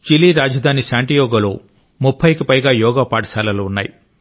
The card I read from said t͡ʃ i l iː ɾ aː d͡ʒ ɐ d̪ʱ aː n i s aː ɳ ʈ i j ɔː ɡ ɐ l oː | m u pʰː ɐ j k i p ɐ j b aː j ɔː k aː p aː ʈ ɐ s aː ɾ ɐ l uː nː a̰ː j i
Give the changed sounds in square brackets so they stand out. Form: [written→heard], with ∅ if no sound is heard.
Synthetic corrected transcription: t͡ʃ i l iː ɾ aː d͡ʒ ɐ d̪ʱ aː n i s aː ɳ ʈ i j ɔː ɡ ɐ l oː | m u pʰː ɐ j k i p ɐ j [b→ɡ] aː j ɔː [k→ɡ] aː p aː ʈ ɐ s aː [ɾ→l] ɐ l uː nː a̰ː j i

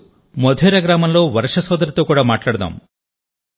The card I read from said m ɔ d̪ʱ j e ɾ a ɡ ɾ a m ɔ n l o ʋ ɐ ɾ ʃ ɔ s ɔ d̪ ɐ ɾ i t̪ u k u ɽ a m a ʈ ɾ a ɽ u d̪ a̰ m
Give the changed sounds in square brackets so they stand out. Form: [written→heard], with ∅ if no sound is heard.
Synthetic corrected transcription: m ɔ d̪ʱ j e ɾ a ɡ ɾ a m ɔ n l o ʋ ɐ ɾ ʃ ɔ s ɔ d̪ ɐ ɾ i t̪ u k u ɽ a m a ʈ [ɾ→l] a ɽ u d̪ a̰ m

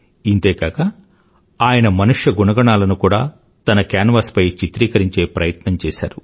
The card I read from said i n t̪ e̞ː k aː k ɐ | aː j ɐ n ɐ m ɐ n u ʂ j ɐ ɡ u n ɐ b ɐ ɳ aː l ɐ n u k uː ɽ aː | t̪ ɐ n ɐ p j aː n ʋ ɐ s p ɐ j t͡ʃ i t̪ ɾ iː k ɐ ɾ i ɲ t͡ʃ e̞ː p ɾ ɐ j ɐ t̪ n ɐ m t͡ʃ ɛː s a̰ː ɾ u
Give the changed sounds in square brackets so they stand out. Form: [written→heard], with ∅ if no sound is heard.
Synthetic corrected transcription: i n t̪ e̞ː k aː k ɐ | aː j ɐ n ɐ m ɐ n u ʂ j ɐ ɡ u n ɐ [b→ɡ] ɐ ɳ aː l ɐ n u k uː ɽ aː | t̪ ɐ n ɐ [p→k] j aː n ʋ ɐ s p ɐ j t͡ʃ i t̪ ɾ iː k ɐ ɾ i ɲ t͡ʃ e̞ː p ɾ ɐ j ɐ t̪ n ɐ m t͡ʃ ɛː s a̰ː ɾ u

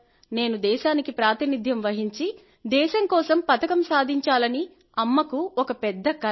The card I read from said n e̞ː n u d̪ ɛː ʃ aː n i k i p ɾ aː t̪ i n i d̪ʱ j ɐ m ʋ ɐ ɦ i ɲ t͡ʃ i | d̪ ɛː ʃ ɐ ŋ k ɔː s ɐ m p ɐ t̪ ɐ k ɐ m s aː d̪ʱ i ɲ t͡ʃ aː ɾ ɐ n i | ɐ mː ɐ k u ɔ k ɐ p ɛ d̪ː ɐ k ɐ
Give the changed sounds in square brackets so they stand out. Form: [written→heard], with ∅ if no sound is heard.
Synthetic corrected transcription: n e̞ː n u d̪ ɛː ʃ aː n i k i p ɾ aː t̪ i n i d̪ʱ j ɐ m ʋ ɐ ɦ i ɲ t͡ʃ i | d̪ ɛː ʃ ɐ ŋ k ɔː s ɐ m p ɐ t̪ ɐ k ɐ m s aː d̪ʱ i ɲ t͡ʃ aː [ɾ→l] ɐ n i | ɐ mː ɐ k u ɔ k ɐ p ɛ d̪ː ɐ k ɐ

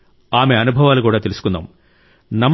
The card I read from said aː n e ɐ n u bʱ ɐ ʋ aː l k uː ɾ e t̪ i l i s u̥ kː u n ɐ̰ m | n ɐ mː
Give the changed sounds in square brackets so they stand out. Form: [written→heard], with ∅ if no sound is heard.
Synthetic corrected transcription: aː [n→m] e ɐ n u bʱ ɐ ʋ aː l k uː [ɾ→ɽ] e t̪ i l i s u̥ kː u [n→nː] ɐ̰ m | n ɐ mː

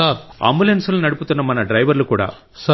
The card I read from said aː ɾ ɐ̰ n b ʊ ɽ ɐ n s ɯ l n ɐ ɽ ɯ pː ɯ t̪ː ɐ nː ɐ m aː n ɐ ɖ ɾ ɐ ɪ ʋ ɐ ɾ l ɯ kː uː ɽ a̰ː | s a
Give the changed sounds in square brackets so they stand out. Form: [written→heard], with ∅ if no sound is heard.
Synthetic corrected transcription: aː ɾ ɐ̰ [n→m] b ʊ [ɽ→l] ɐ n s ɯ l n ɐ ɽ ɯ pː ɯ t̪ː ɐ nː ɐ m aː n ɐ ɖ ɾ ɐ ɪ ʋ ɐ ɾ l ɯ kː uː ɽ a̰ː | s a

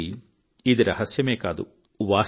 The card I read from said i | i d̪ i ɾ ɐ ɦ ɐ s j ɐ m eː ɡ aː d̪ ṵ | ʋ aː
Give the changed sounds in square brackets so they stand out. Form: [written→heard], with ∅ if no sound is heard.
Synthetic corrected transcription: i | i d̪ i ɾ ɐ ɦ ɐ s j ɐ m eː [ɡ→k] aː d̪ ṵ | ʋ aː

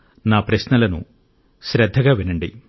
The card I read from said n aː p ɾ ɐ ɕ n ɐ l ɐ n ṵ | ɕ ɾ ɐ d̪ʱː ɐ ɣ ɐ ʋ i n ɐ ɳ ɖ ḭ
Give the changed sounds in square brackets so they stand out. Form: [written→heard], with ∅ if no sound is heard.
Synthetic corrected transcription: n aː p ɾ ɐ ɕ n ɐ l ɐ n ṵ | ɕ ɾ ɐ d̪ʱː ɐ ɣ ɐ ʋ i n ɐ ɳ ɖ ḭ

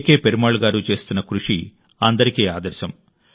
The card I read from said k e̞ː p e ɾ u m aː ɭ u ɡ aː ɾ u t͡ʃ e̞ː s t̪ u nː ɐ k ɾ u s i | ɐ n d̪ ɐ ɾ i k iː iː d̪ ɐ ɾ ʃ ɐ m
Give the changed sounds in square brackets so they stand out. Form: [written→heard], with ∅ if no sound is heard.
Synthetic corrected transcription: k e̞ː p e ɾ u m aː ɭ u ɡ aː ɾ u t͡ʃ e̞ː s t̪ u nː ɐ k ɾ u [s→ʂ] i | ɐ n d̪ ɐ ɾ i k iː [iː→aː] d̪ ɐ ɾ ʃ ɐ m

